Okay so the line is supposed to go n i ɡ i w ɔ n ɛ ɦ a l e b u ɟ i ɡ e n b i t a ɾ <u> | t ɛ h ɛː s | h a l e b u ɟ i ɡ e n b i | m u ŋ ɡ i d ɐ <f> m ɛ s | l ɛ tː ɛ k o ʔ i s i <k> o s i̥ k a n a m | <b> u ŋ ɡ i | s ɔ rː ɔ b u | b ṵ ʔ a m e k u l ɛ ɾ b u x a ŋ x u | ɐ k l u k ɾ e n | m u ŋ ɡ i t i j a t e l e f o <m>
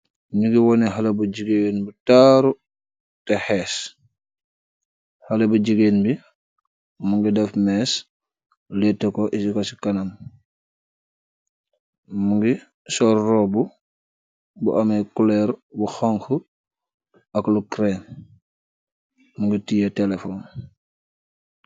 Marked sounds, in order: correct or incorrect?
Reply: correct, correct, correct, incorrect, incorrect

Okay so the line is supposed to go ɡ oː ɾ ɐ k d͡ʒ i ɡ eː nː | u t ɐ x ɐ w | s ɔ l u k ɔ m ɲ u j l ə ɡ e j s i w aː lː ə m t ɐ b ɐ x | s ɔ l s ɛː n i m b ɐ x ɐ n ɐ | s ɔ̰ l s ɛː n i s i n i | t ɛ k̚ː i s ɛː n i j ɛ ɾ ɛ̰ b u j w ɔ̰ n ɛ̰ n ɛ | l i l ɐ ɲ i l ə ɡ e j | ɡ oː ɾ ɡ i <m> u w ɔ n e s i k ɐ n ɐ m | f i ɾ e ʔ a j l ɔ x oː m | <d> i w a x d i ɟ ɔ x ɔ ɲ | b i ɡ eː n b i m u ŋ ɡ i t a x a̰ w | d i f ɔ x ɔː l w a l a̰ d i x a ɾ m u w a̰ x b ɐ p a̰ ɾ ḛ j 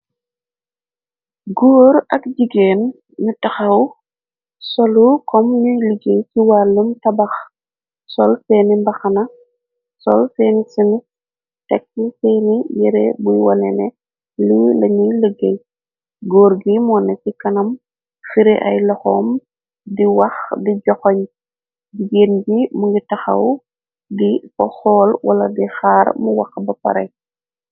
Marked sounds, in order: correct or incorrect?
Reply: correct, correct

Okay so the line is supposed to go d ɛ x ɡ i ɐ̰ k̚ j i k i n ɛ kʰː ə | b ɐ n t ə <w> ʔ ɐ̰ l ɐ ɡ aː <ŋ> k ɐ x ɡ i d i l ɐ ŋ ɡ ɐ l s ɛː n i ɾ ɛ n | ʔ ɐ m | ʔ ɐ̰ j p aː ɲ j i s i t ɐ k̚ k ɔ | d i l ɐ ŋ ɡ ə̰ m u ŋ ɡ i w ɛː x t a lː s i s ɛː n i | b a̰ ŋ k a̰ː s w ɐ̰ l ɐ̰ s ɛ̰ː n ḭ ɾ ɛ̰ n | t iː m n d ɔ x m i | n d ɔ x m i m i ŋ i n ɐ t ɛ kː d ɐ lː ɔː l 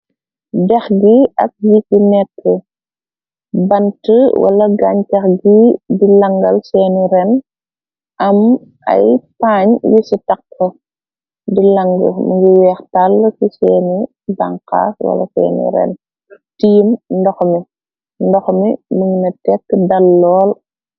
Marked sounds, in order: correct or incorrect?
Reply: correct, incorrect

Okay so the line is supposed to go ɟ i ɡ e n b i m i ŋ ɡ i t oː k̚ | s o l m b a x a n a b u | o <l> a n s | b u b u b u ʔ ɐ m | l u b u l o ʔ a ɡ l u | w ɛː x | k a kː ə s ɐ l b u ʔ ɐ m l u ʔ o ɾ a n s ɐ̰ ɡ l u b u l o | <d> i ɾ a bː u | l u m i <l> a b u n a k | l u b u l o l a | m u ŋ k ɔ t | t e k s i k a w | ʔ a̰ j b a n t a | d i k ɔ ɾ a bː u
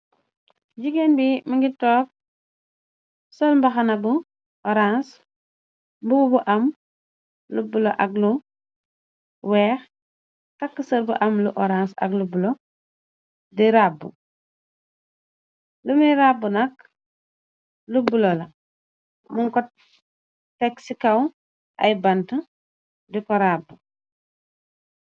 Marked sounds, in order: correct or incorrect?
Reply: incorrect, correct, incorrect

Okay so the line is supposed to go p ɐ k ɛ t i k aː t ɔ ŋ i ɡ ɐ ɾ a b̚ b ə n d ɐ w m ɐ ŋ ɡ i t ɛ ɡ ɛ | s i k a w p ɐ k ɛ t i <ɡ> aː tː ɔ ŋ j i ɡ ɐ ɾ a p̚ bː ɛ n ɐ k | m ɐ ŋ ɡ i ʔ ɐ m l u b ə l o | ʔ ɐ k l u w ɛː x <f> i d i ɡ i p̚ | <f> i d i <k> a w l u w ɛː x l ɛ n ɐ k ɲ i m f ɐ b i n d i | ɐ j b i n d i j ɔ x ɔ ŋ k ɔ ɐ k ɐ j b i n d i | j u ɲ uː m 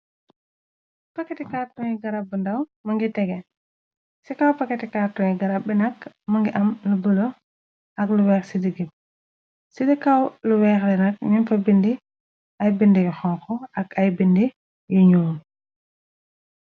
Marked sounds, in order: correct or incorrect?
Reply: incorrect, incorrect, incorrect, correct

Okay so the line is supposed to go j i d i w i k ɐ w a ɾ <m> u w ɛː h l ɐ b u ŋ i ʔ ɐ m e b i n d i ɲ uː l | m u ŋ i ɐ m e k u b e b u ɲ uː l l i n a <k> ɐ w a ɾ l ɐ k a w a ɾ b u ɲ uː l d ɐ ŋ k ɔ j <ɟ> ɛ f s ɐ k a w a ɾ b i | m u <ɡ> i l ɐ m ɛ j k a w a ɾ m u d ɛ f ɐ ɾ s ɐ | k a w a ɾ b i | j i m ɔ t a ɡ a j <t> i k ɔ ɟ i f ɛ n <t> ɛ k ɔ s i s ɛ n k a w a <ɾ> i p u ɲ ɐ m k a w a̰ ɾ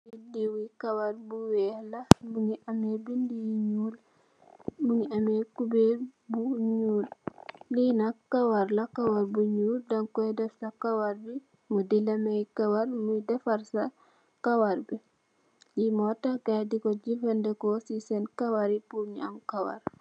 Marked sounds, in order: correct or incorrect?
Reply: incorrect, correct, incorrect, incorrect, incorrect, incorrect, correct

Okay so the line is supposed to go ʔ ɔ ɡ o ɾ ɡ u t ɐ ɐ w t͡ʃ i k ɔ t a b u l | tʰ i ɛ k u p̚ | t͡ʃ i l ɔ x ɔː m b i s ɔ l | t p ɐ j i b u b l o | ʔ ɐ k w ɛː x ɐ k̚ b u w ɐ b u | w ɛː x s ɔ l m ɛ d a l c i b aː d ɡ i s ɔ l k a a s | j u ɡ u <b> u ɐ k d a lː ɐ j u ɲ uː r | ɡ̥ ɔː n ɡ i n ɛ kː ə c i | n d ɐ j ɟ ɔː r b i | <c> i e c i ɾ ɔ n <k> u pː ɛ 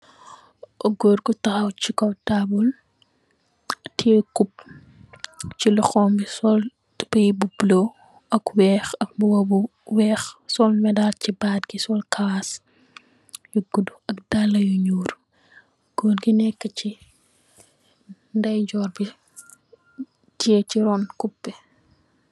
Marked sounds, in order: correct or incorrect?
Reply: incorrect, incorrect, correct

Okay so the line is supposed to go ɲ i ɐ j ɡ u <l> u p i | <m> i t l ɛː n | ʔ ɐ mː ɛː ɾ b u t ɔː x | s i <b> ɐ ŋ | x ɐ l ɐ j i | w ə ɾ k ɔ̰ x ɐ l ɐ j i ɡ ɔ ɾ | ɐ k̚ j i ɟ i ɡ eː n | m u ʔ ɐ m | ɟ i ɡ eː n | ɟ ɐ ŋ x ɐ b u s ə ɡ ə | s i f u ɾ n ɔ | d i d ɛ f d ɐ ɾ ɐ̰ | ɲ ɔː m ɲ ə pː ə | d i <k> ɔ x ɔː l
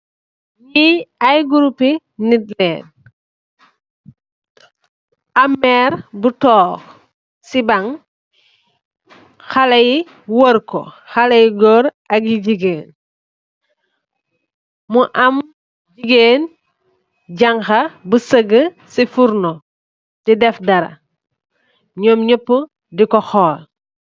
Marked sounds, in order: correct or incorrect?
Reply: incorrect, incorrect, correct, correct

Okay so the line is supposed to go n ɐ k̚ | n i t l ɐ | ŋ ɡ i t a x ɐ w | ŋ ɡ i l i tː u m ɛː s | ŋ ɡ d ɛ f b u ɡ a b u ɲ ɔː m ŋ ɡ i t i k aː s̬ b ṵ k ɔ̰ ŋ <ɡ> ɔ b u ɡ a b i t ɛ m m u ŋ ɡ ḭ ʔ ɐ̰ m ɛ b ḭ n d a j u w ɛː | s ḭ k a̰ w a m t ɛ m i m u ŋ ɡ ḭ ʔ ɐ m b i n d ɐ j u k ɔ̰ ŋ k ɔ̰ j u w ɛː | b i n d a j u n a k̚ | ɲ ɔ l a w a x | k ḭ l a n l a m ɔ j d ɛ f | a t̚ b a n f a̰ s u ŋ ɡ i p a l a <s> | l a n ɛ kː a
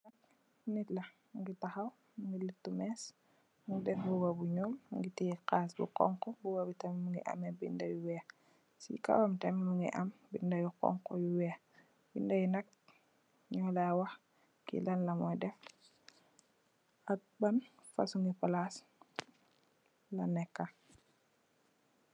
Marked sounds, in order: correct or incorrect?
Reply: incorrect, correct

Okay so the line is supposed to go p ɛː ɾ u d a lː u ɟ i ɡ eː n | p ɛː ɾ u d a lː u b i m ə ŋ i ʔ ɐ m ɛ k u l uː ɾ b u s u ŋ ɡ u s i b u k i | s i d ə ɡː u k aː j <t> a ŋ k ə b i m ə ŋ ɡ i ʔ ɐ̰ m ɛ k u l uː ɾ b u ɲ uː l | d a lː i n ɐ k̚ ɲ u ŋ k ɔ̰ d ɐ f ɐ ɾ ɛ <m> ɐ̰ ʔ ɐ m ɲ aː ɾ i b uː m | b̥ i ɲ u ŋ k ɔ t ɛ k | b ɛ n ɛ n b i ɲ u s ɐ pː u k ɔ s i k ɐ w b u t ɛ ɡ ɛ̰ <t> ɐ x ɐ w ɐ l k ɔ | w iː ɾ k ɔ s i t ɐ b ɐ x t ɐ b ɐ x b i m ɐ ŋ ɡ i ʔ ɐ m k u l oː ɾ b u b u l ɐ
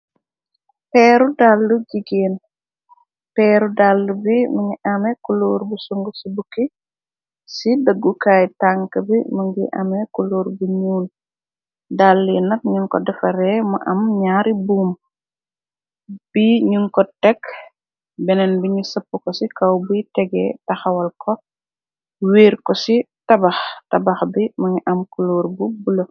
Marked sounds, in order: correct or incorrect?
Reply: correct, correct, correct

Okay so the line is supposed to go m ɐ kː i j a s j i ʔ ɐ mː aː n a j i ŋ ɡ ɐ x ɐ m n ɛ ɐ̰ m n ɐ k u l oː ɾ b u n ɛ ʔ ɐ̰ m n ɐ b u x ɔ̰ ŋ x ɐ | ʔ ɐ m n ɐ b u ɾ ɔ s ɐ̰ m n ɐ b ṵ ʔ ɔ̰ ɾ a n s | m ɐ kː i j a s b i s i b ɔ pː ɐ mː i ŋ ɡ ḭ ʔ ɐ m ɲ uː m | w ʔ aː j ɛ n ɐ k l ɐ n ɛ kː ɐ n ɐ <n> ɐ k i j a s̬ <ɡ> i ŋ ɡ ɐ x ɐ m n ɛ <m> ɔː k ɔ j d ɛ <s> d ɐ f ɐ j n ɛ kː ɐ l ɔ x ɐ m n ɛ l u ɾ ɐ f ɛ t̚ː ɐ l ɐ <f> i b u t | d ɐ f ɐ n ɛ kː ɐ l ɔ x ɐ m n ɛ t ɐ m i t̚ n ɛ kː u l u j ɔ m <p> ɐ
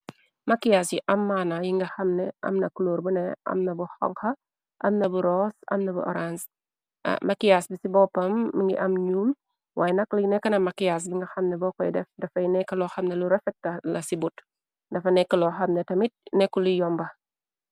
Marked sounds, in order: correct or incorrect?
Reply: incorrect, incorrect, incorrect, incorrect, incorrect, incorrect

